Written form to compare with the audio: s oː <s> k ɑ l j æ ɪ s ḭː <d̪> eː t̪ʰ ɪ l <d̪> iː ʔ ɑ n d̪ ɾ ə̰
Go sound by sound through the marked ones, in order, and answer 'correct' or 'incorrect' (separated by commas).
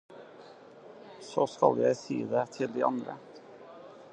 correct, correct, correct